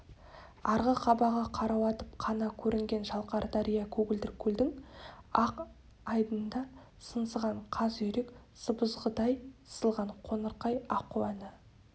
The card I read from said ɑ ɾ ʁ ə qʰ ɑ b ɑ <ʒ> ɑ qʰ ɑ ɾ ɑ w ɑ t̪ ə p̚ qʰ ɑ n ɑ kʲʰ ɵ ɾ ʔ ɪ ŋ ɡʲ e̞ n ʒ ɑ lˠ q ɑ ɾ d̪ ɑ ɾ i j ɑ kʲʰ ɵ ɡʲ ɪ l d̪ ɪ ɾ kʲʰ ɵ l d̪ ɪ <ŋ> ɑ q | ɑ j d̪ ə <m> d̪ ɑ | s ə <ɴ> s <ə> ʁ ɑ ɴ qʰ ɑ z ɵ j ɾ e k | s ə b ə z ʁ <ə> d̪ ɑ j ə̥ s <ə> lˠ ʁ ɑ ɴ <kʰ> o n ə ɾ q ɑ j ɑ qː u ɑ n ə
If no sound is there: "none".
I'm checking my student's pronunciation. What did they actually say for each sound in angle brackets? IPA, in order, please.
ʁ, ŋ, n, n, ə, ə, ə, qʰ

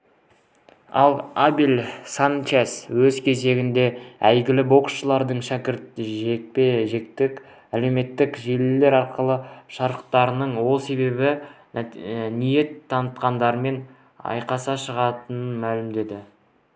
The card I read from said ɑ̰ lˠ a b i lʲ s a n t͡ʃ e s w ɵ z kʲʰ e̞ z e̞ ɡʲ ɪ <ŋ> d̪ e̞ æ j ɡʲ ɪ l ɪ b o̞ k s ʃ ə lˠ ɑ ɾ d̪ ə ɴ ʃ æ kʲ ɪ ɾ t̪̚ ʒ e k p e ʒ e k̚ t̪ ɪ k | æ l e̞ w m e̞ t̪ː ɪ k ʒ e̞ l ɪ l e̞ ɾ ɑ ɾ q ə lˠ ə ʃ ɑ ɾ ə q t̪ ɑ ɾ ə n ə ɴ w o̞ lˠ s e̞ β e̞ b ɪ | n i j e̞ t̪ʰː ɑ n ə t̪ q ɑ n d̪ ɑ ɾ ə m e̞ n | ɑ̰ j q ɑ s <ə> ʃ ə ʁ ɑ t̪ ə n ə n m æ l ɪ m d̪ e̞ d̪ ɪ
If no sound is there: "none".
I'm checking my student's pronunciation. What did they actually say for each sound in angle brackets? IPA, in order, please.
n, ɑ

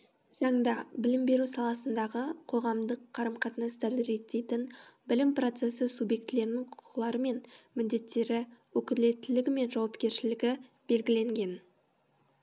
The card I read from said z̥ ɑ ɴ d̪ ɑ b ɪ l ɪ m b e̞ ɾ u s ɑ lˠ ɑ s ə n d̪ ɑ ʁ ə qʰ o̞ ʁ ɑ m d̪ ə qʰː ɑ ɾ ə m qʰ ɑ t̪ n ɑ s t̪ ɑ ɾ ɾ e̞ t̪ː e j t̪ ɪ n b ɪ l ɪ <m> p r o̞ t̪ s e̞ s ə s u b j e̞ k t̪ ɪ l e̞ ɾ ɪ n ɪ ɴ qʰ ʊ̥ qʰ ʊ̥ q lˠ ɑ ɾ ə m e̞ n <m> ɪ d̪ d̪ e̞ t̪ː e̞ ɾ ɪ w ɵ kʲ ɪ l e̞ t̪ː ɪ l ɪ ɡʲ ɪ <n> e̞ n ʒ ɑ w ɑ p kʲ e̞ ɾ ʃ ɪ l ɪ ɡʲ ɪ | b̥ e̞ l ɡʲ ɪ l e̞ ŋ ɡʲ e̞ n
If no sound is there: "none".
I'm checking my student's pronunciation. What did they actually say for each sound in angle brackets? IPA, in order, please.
m, m, m

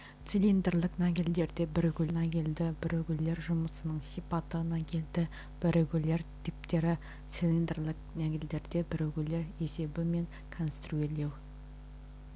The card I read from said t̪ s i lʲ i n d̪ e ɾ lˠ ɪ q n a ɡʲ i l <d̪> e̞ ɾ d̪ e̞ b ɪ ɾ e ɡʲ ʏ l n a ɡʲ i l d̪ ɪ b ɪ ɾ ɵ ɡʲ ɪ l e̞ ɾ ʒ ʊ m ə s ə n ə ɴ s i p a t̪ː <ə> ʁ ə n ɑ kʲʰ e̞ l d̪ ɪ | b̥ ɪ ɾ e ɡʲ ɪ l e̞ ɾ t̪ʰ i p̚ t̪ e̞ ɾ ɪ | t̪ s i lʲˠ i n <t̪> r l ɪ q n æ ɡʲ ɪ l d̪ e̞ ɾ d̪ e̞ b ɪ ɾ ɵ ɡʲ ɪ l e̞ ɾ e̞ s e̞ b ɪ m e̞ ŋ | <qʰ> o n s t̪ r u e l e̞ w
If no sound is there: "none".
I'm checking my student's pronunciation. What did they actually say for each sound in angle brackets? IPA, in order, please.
d̪, ə, d̪, kʰ

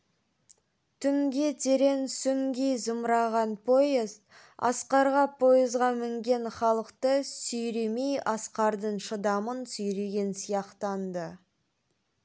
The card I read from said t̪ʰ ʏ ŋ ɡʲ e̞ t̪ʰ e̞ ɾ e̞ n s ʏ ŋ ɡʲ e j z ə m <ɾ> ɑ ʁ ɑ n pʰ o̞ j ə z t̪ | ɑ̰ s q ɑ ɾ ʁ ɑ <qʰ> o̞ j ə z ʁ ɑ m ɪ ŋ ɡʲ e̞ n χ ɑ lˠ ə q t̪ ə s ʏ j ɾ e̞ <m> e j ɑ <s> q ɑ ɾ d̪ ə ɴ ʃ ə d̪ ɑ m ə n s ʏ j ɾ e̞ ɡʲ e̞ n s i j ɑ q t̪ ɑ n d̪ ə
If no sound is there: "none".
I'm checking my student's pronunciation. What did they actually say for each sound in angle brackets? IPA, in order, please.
ɾ, pʰ, m, s

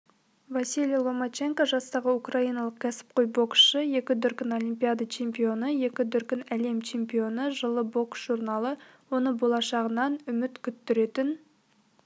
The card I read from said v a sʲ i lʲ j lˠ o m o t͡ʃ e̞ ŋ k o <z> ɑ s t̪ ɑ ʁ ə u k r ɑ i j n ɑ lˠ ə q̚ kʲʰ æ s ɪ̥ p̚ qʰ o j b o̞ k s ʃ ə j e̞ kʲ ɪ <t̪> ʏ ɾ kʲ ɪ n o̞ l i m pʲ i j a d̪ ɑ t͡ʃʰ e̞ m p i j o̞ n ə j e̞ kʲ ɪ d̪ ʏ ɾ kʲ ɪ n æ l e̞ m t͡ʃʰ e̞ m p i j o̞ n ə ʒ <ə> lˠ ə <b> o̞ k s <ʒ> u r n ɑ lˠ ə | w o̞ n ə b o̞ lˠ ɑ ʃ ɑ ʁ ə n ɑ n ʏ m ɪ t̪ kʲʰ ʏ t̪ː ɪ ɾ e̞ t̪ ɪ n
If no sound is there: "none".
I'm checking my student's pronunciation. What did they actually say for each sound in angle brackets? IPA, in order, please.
ʒ, d̪, ə, b, ʒ

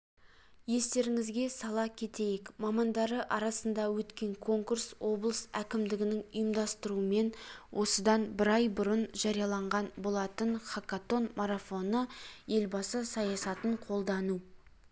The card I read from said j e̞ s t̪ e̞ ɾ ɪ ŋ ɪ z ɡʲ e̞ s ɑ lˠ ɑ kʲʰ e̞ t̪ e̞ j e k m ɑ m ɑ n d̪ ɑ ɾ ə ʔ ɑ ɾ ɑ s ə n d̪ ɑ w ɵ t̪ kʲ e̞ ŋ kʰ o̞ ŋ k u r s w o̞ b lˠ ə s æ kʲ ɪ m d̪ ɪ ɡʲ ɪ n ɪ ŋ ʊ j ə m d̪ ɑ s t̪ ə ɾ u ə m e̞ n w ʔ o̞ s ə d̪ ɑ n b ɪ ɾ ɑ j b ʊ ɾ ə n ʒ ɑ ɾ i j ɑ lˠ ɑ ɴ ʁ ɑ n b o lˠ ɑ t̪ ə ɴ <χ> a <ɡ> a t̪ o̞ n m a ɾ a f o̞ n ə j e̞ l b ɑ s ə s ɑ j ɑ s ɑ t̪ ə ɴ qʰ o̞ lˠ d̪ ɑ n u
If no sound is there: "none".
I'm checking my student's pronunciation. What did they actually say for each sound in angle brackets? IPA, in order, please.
χ, k

